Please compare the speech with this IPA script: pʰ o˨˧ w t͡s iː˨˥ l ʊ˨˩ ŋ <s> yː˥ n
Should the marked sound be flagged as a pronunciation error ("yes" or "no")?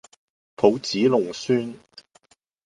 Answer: no